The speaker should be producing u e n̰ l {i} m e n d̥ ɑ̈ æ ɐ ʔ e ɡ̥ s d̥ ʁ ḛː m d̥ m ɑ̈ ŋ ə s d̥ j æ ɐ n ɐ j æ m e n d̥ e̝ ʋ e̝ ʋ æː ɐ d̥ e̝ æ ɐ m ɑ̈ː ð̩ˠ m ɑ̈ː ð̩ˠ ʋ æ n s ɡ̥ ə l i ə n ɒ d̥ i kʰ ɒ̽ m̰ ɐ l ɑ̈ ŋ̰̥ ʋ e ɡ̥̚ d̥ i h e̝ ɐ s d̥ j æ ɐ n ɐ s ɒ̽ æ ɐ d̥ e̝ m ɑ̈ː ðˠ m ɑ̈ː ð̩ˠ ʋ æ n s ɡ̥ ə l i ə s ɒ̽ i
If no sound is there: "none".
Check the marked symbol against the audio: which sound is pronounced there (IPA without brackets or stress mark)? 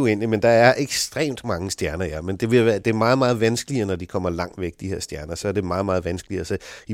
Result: i